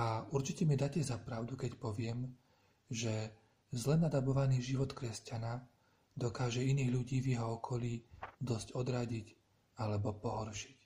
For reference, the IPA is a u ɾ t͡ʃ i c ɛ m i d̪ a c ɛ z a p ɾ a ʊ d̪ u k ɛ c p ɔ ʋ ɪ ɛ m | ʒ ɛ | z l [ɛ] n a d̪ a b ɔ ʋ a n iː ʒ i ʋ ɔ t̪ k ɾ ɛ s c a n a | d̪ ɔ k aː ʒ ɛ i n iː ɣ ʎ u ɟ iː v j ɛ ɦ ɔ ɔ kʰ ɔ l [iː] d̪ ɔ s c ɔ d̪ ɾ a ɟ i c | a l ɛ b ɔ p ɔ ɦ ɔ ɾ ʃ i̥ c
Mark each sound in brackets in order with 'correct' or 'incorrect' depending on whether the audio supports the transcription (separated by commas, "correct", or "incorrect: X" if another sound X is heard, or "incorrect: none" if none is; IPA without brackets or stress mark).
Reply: correct, correct